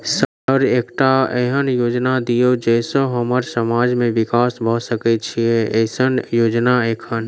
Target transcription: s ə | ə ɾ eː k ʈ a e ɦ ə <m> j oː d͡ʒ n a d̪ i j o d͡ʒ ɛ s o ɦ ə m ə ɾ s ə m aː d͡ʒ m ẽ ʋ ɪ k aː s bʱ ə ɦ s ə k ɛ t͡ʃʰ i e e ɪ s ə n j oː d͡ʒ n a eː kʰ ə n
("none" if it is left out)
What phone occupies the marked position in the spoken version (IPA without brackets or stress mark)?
n